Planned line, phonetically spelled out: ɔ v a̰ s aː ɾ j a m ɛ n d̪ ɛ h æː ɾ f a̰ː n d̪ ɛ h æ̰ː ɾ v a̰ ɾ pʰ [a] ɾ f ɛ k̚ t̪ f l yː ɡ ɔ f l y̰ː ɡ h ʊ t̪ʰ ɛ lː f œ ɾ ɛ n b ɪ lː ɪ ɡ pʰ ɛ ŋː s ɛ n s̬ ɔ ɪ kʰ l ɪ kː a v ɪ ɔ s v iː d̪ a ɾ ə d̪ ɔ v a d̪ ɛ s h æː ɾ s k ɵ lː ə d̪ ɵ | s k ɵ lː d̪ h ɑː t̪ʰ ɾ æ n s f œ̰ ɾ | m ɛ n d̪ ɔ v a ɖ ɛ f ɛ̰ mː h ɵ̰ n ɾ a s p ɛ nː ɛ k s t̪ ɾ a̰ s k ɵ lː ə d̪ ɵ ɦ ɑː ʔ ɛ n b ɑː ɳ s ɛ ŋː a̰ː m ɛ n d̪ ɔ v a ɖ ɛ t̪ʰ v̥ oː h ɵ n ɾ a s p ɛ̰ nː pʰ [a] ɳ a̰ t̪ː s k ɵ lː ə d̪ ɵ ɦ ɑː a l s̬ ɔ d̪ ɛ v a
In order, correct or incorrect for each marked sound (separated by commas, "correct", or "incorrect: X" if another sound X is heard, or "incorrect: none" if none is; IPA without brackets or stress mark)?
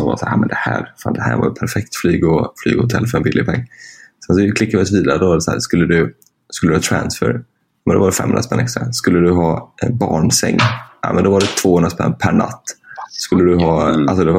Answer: incorrect: æ, incorrect: æ